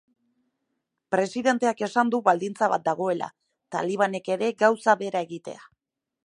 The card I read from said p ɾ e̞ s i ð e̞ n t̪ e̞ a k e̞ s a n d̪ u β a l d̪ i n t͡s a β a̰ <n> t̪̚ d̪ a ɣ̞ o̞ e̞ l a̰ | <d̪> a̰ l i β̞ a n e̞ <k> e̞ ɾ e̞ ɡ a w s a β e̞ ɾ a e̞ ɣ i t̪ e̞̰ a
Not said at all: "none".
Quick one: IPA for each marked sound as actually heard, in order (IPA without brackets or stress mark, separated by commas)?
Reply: none, t̪, k